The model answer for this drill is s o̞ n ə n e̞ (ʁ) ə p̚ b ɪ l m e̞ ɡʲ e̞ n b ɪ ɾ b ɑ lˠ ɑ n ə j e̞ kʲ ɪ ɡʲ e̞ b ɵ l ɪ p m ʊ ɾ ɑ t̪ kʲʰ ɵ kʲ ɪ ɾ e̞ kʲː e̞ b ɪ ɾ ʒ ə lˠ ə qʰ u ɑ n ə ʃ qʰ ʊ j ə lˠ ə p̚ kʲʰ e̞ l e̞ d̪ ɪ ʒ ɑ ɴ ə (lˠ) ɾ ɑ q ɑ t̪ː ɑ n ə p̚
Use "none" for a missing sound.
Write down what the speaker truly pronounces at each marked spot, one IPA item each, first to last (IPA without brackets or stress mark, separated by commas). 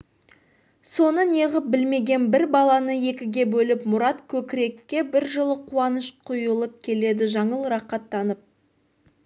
ʁ, lˠ